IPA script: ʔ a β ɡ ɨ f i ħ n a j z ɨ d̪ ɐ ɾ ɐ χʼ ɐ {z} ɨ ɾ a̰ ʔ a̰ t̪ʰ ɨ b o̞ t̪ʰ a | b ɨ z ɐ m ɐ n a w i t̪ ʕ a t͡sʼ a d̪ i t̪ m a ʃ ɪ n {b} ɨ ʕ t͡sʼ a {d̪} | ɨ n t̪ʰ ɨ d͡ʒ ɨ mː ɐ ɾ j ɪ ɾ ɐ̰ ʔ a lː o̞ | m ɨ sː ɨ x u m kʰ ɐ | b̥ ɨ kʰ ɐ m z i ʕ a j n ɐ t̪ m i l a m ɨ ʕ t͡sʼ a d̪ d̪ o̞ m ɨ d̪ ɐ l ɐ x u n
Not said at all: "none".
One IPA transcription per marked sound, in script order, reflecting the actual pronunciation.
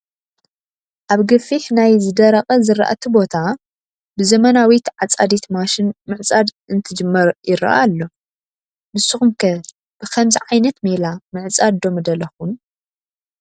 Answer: z, m, d̪

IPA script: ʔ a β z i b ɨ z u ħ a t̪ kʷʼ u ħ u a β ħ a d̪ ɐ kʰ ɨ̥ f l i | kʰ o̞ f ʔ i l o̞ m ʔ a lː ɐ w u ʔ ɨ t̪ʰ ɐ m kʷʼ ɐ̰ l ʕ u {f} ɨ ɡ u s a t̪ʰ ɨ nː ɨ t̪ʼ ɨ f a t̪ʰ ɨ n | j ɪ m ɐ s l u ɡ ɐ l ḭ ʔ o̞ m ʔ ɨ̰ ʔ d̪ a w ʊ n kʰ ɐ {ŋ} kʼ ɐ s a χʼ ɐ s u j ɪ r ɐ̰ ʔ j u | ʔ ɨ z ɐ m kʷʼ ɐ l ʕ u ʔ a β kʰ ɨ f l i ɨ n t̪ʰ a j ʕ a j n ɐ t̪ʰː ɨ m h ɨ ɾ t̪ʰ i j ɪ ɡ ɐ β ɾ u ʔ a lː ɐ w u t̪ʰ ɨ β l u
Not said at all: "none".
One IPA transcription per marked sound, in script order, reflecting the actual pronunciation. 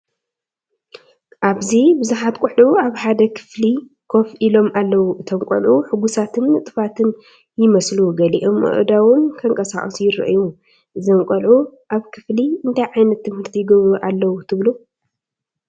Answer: ħ, ŋ

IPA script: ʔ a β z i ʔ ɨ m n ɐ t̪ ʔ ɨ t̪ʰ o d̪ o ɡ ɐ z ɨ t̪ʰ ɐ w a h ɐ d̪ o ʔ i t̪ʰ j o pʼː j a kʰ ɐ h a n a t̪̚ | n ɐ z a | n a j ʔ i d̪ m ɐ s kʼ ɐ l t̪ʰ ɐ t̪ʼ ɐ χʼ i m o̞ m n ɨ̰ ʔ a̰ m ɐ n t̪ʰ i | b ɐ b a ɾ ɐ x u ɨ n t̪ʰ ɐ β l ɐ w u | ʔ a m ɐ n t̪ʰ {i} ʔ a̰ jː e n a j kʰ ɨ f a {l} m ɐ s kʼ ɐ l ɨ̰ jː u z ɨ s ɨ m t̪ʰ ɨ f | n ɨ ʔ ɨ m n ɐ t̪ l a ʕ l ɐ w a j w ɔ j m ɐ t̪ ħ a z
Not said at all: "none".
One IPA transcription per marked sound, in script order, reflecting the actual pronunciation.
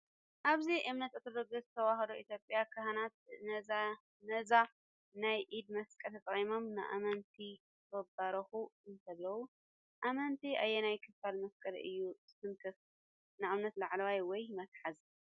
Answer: i, l

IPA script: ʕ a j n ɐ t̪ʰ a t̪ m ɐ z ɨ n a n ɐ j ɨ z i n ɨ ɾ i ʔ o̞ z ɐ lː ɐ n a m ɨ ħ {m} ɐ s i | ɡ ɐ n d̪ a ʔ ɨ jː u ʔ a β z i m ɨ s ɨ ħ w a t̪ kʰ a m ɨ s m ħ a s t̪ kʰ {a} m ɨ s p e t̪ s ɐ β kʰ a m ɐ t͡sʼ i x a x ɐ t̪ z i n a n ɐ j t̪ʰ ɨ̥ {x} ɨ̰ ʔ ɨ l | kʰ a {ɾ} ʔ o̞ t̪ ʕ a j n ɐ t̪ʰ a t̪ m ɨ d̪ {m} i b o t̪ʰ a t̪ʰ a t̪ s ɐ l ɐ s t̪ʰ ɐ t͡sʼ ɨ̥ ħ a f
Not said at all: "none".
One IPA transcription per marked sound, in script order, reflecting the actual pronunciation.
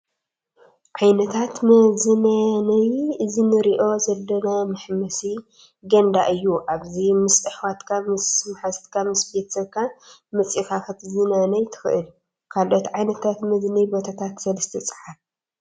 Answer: m, a, x, l, n

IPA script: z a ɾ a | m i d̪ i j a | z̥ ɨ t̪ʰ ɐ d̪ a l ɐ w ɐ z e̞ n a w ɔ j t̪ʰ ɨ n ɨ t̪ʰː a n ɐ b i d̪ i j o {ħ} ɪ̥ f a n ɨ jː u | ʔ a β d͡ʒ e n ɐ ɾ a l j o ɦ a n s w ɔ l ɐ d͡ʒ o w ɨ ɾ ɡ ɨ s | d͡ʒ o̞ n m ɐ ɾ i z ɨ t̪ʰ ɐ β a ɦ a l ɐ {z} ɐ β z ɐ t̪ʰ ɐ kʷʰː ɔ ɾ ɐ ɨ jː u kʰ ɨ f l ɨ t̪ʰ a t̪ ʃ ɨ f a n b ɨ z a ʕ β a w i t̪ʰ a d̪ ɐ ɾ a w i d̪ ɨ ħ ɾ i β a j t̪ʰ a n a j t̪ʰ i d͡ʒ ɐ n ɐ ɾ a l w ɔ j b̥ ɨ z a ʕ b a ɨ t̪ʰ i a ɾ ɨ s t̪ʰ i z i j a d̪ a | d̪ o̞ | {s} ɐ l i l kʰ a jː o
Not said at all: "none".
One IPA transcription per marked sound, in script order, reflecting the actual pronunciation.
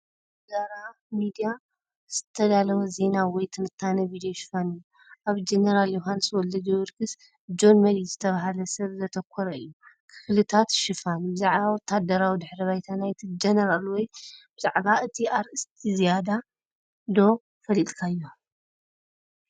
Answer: ʃ, s, f

